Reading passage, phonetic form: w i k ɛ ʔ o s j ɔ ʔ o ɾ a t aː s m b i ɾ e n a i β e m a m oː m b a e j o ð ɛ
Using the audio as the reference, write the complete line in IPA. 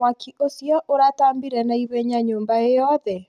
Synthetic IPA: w a k i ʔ o s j ɔ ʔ o ɾ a t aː m b i ɾ ɛ n a i β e ɲ a ɲ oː m b a e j ɔ ð ɛ